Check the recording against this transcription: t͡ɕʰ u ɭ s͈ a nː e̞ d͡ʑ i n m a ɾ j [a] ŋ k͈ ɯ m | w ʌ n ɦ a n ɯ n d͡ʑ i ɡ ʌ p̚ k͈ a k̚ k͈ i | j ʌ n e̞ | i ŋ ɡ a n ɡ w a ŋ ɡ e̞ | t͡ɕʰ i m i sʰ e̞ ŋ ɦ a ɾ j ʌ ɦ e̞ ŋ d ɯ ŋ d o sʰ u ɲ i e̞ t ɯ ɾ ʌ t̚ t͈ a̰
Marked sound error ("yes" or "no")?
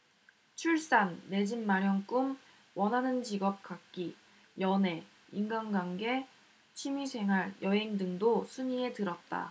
yes